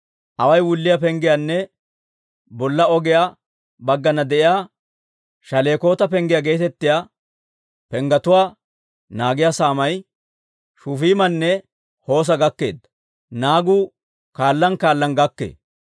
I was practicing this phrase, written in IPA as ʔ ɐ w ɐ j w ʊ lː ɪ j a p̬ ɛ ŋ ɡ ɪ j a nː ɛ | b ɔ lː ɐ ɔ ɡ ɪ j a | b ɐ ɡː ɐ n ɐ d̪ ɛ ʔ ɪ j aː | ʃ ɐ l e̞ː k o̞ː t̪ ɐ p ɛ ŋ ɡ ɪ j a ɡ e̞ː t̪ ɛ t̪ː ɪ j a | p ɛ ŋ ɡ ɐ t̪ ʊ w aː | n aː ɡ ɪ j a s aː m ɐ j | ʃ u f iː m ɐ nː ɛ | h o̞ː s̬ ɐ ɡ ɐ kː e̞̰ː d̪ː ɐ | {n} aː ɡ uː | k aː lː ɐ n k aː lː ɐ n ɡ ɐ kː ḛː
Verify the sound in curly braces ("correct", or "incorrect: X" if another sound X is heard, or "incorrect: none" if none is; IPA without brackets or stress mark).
correct